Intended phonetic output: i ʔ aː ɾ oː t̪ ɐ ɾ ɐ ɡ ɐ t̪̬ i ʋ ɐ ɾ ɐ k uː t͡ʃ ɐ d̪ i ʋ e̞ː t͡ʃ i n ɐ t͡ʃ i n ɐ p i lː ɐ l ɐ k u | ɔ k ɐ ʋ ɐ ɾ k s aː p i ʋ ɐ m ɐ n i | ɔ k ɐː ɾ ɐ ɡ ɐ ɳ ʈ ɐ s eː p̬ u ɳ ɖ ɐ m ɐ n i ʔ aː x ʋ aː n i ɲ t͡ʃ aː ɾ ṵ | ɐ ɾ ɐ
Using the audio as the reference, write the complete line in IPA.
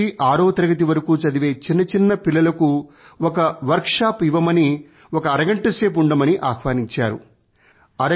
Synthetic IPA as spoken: i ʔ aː ɾ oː t̪ ɐ ɾ ɐ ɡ ɐ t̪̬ i ʋ ɐ ɾ ɐ k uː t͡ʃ ɐ d̪ i ʋ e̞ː t͡ʃ i nː ɐ t͡ʃ i nː ɐ p i lː ɐ l ɐ k u | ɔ k ɐ ʋ ɐ ɾ k ʂ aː p i ʋ ɐ m ɐ n i | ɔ k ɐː ɾ ɐ ɡ ɐ ɳ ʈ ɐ s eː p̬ u ɳ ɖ ɐ m ɐ n i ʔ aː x ʋ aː n i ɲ t͡ʃ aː ɾ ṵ | ɐ ɾ ɐ